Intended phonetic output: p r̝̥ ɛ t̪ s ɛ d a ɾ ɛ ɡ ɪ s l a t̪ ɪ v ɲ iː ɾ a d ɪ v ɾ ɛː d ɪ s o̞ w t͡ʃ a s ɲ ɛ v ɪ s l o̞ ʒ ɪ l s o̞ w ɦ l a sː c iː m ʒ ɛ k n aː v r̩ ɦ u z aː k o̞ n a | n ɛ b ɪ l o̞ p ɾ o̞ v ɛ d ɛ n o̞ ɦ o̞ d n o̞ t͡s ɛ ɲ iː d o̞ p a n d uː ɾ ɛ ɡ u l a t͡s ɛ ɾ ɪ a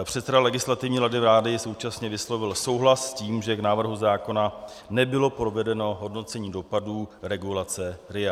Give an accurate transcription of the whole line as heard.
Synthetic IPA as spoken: p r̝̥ ɛ t̪ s ɛ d a l ɛ ɡ ɪ s l a t̪ ɪ v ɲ iː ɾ a d ɪ v ɾ aː d ɪ s o̞ w t͡ʃ a s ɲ ɛ v ɪ s l o̞ v ɪ l s o̞ w ɦ l a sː c iː m ʒ ɛ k n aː v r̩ ɦ u z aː k o̞ n a | n ɛ b ɪ l o̞ p ɾ o̞ v ɛ d ɛ n o̞ ɦ o̞ d n o̞ t͡s ɛ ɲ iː d o̞ p a d uː ɾ ɛ ɡ u l a t͡s ɛ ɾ ɪ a